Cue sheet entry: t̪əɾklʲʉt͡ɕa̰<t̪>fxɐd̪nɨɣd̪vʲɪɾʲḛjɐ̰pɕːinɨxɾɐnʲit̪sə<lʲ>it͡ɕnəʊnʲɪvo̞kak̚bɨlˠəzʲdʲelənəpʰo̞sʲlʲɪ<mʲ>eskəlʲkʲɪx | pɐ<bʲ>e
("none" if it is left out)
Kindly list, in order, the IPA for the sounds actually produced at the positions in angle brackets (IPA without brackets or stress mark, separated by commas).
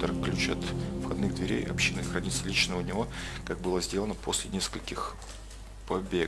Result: t̪, lʲ, nʲ, bʲ